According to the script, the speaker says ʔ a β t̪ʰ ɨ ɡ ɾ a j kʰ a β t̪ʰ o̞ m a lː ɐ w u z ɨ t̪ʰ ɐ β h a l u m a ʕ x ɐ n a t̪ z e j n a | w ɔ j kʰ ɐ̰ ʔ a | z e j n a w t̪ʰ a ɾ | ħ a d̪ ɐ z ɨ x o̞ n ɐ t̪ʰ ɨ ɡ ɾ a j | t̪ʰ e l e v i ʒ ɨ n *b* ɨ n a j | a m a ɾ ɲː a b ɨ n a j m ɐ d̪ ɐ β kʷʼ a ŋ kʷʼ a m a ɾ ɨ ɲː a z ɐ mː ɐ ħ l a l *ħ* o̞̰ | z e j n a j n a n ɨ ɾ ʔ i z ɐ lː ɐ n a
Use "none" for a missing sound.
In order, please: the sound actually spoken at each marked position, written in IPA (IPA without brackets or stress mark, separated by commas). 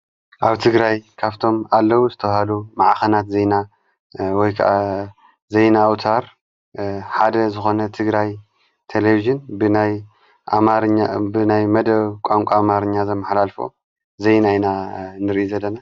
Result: b, f